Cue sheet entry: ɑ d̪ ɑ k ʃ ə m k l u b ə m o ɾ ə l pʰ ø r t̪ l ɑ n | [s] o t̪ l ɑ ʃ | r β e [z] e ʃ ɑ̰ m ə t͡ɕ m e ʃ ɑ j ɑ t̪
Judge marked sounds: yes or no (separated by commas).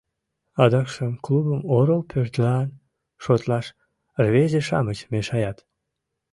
no, yes